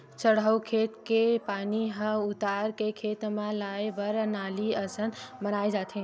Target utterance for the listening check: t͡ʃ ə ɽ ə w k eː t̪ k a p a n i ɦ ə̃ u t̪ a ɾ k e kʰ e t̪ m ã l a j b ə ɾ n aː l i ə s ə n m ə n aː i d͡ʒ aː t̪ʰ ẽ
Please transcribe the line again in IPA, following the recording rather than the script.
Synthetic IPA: t͡ʃ ə ɽ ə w kʰ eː t̪ k e p a n i ɦ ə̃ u t̪ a ɾ k e kʰ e t̪ m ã l a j b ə ɾ n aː l i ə s ə n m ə n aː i d͡ʒ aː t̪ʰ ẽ